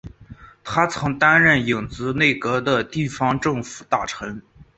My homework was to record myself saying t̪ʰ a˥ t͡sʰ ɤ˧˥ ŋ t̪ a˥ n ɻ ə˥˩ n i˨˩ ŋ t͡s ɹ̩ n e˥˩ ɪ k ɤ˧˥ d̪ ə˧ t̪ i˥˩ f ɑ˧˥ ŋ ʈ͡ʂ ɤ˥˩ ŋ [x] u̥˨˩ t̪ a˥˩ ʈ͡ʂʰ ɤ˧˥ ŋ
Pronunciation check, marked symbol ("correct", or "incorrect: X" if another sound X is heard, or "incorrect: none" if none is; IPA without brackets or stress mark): incorrect: f